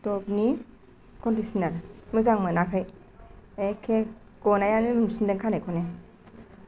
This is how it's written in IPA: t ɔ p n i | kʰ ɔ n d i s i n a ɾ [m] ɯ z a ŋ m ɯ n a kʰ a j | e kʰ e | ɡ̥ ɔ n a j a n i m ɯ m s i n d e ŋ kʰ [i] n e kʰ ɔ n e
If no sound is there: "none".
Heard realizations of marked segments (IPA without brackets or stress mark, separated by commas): m, a